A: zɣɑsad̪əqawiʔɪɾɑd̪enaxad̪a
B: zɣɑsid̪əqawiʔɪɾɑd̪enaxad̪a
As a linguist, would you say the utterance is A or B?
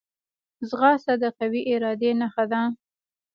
A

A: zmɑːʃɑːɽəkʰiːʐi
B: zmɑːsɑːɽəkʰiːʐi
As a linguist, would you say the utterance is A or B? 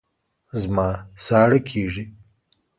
B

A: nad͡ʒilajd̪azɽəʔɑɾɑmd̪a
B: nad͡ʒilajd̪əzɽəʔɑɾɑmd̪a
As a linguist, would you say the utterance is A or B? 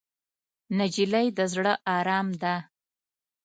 B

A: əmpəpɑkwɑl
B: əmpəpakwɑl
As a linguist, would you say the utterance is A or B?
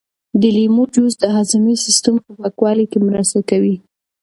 B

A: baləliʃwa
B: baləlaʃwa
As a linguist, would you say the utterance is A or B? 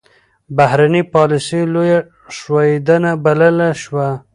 B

